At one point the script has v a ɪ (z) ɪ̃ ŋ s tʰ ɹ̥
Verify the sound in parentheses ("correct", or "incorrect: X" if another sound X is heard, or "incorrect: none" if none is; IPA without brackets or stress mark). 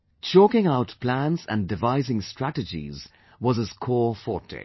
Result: correct